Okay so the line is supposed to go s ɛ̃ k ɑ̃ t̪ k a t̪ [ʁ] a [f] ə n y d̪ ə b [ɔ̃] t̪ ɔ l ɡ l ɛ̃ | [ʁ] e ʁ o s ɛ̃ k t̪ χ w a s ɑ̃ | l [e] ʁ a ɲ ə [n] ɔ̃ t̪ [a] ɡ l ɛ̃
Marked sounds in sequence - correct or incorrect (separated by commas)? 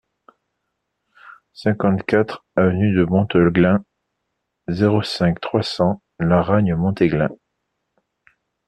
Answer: incorrect, incorrect, correct, incorrect, incorrect, incorrect, incorrect